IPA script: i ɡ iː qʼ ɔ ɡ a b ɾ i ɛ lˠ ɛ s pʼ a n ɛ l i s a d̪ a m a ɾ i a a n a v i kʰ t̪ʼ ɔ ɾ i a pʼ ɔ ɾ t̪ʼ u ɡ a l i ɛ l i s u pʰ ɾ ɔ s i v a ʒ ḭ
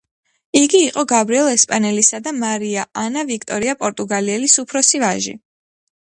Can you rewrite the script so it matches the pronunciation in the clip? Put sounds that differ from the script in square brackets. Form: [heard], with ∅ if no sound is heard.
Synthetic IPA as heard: i ɡ iː qʼ ɔ ɡ a b ɾ i ɛ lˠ ɛ s pʼ a n ɛ l i s a d̪ a m a ɾ i a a n a v i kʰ t̪ʼ ɔ ɾ i a pʼ ɔ ɾ t̪ʼ u ɡ a l i ɛ l i s u pʰ ɾ ɔ s i v a ʒ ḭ